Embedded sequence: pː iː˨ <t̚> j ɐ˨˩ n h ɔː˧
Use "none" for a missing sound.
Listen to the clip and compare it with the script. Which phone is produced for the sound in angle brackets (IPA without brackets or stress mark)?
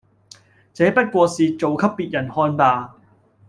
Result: t̚